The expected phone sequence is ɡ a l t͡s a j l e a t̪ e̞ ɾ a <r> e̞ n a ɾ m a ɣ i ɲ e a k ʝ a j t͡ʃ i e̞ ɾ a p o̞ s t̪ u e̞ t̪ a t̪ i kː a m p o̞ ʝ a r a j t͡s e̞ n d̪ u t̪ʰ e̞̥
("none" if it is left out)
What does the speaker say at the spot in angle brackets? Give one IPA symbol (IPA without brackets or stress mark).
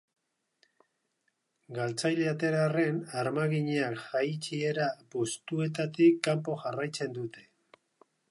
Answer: r